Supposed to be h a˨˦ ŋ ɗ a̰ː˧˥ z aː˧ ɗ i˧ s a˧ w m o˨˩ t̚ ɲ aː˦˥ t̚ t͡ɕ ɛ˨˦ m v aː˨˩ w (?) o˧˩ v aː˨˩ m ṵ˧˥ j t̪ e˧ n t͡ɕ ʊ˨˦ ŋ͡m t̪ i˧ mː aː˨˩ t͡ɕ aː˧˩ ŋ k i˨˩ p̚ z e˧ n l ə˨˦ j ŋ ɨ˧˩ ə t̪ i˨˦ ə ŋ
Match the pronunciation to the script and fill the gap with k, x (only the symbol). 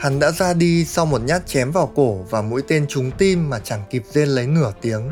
k